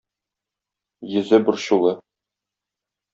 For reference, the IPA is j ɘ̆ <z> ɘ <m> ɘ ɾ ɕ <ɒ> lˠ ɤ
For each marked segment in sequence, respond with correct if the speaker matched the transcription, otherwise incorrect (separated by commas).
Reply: correct, incorrect, incorrect